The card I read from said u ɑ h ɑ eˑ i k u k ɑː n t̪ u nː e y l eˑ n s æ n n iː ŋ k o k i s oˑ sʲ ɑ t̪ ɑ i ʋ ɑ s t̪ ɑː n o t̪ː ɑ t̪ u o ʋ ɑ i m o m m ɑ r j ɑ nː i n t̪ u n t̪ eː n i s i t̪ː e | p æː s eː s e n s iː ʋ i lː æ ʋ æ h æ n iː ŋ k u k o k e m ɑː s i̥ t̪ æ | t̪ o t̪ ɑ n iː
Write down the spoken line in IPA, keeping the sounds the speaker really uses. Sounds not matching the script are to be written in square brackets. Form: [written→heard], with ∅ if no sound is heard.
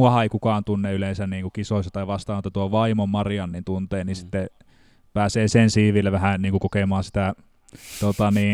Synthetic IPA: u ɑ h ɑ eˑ i k u k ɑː n t̪ u nː e y l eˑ n s æ n n iː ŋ k [o→u] k i s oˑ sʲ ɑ t̪ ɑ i ʋ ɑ s t̪ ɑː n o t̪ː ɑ t̪ u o ʋ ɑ i m o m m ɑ r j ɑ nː i n t̪ u n t̪ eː n i s i t̪ː e | p æː s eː s e n s iː ʋ i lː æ ʋ æ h æ n iː ŋ k u k o k e m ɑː s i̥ t̪ æ | t̪ o t̪ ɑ n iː